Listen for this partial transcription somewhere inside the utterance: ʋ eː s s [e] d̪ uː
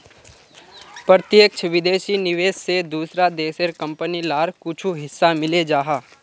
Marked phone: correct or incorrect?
correct